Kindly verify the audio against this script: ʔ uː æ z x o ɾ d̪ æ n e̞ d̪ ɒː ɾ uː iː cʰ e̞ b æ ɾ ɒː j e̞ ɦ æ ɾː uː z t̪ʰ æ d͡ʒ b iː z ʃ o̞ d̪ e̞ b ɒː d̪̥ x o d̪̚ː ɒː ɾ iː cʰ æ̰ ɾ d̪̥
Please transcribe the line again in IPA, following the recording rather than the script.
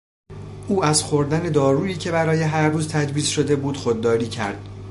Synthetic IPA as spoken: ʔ uː æ z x o ɾ d̪ æ n e̞ d̪ ɒː ɾ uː iː cʰ e̞ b æ ɾ ɒː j e̞ ɦ æ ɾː uː z t̪ʰ æ d͡ʒ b iː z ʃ o̞ d̪ e̞ b uː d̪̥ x o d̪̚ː ɒː ɾ iː cʰ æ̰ ɾ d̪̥

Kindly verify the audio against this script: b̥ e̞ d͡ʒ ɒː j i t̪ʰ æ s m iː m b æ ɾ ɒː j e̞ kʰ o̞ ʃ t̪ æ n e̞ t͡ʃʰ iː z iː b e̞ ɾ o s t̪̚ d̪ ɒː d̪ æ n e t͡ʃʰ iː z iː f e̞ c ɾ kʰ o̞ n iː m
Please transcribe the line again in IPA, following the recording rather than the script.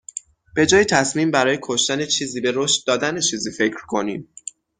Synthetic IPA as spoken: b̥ e̞ d͡ʒ ɒː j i t̪ʰ æ s m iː m b æ ɾ ɒː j e̞ kʰ o̞ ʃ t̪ æ n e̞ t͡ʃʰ iː z iː b e̞ ɾ o ʃ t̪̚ d̪ ɒː d̪ æ n e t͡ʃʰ iː z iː f e̞ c ɾ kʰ o̞ n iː m

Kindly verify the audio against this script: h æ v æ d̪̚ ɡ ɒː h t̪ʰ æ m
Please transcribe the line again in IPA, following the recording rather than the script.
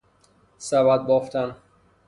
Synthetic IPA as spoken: s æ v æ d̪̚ b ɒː f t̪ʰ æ n

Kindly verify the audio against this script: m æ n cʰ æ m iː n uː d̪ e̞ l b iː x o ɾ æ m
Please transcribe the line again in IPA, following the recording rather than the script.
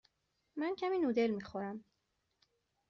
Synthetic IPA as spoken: m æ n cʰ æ m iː n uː d̪ e̞ l m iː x o ɾ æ m

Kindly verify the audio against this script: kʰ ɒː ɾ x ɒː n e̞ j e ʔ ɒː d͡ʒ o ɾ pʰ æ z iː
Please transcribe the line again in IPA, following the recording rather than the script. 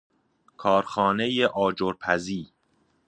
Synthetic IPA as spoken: kʰ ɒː ɾ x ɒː n e̞ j e ʔ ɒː d͡ʒ o ɾ pʰ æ z iː

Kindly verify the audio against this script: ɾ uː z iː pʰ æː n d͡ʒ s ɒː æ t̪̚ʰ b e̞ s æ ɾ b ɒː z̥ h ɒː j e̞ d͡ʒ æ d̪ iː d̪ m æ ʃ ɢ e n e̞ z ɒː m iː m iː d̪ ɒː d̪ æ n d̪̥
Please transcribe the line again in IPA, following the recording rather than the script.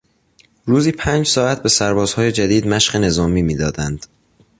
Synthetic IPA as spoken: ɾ uː z iː pʰ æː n d͡ʒ s ɒː æ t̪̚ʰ b e̞ s æ ɾ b ɒː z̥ h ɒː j e̞ d͡ʒ æ d̪ iː d̪ m æ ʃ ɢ e n e̞ z ɒː m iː m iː d̪ ɒː d̪ æ n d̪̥

